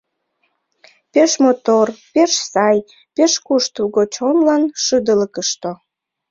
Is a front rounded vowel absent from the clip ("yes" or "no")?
yes